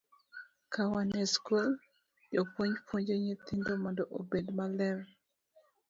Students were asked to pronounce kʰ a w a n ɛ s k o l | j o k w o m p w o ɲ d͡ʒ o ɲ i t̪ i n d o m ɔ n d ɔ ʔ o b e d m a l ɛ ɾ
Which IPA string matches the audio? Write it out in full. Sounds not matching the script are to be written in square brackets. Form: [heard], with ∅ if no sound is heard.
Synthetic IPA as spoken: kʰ a w a n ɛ s k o l | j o [p] w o [ɲ] p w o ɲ d͡ʒ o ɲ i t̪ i n d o m ɔ n d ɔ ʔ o b e d m a l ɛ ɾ